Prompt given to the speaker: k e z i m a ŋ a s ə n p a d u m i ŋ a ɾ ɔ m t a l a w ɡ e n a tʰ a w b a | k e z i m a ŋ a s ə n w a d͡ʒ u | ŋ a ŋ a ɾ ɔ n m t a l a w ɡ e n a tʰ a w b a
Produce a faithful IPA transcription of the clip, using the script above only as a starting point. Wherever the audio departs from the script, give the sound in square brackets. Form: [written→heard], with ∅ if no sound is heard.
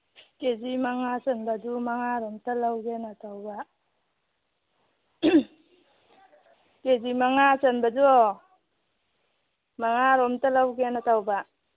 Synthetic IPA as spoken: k e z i m a ŋ a s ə n [p→b] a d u m [i→a] ŋ a ɾ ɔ m t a l a w ɡ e n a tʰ a w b a | k e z i m a ŋ a s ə n [w→b] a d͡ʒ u | [ŋ→m] a ŋ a ɾ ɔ [n→∅] m t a l a w ɡ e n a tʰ a w b a